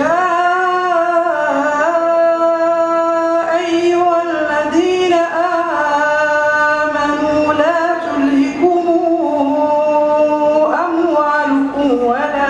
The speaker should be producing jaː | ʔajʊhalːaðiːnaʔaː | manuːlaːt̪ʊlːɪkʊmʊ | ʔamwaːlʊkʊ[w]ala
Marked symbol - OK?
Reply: yes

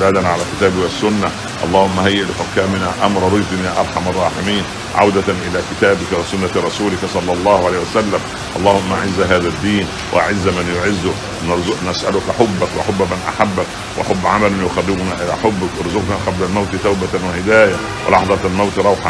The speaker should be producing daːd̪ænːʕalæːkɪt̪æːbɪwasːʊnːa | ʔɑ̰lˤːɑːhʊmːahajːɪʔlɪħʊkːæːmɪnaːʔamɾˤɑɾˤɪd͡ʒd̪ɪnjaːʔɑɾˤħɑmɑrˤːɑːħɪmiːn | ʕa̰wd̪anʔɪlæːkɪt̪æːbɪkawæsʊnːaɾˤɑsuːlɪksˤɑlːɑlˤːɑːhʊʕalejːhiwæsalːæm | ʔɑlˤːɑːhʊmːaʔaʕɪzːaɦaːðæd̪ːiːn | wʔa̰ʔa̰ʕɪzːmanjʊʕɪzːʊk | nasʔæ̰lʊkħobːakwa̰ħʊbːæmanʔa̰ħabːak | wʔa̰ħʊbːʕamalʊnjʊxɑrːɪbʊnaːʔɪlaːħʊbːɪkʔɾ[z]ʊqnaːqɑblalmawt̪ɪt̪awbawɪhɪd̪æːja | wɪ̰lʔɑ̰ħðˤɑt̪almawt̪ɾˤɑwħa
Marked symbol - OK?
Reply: yes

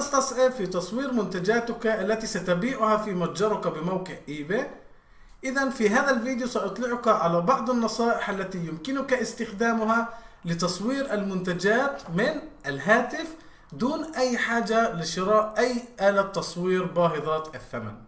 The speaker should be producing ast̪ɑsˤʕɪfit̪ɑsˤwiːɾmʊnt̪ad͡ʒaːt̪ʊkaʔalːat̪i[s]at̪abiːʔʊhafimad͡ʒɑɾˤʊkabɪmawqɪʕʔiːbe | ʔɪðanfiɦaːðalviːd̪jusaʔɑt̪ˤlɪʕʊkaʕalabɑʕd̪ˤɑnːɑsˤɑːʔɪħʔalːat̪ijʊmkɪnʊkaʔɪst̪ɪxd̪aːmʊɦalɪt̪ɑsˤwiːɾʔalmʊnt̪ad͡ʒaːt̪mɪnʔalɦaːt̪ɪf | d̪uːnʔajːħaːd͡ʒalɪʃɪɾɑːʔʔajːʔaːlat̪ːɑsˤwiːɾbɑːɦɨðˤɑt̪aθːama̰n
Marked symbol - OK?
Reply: yes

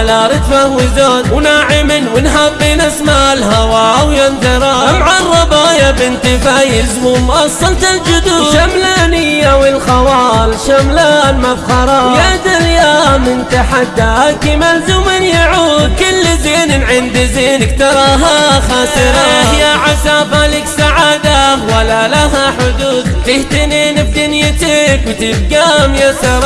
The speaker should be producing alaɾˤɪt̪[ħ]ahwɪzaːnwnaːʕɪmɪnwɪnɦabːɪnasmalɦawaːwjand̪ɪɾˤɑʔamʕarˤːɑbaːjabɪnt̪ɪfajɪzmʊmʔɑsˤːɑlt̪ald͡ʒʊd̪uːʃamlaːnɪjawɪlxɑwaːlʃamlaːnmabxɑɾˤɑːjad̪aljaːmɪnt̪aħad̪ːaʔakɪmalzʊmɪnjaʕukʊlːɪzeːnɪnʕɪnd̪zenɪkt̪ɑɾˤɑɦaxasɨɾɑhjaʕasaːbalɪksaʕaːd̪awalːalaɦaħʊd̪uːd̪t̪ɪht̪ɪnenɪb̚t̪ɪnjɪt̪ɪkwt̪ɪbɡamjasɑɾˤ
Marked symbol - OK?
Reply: no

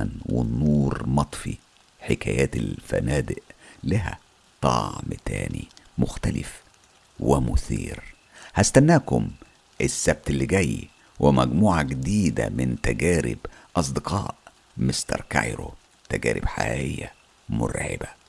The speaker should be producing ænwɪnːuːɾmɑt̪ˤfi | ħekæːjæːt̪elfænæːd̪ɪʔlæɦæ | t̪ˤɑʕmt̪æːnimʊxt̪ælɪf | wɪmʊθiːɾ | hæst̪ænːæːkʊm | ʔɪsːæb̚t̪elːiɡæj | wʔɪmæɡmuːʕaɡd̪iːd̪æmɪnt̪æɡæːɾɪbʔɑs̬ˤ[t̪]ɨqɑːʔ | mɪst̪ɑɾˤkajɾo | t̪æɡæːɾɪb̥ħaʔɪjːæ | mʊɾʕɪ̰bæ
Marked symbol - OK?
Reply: no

